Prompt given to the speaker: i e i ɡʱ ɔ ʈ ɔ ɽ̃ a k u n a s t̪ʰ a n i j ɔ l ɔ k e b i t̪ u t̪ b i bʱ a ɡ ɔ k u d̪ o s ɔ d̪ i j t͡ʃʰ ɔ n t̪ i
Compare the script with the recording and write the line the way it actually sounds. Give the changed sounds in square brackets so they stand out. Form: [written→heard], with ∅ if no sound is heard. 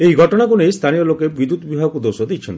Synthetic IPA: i e i ɡʱ ɔ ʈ ɔ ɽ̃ a k u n [a→e] s t̪ʰ a n i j ɔ l [ɔ→o] k e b i [t̪→d̪] u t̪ b i bʱ a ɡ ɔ k u d̪ o s ɔ d̪ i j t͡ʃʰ ɔ n t̪ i